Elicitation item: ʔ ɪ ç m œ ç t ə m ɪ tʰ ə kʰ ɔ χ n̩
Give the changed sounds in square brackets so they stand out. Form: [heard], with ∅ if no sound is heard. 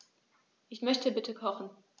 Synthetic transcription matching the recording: ʔ ɪ ç m œ ç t ə [b] ɪ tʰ ə kʰ ɔ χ n̩